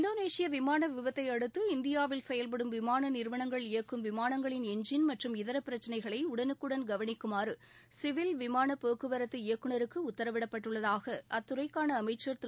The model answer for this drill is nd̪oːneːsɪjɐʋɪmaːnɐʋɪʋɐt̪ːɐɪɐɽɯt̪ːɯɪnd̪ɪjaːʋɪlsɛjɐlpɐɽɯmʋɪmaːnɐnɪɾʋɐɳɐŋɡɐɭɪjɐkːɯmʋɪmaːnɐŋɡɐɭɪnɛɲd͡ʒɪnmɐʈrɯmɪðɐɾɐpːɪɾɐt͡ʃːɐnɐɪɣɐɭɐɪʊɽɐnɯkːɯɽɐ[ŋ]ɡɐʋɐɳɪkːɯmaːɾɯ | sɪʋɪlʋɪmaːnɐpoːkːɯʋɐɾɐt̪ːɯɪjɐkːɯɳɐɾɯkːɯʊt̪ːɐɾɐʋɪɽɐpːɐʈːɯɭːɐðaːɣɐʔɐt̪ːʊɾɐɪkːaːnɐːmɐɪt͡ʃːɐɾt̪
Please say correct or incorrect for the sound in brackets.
incorrect